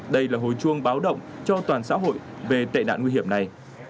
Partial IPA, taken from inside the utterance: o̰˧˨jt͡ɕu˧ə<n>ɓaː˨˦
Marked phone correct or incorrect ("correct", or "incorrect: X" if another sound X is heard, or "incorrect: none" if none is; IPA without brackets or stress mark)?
incorrect: ŋ